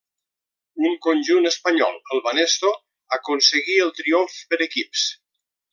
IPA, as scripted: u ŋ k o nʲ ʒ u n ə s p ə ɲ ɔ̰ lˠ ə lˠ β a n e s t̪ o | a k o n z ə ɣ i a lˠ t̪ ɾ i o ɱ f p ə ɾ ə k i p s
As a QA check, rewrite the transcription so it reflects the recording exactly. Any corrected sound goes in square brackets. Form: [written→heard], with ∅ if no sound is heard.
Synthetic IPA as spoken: u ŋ k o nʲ ʒ u n ə s p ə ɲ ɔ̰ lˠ ə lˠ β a n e s t̪ o | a k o n [z→s] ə ɣ i [a→ə] lˠ t̪ ɾ i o ɱ f p ə ɾ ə k i p s